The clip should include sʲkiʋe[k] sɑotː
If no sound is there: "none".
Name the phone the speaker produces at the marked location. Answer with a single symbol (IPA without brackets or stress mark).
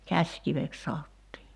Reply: k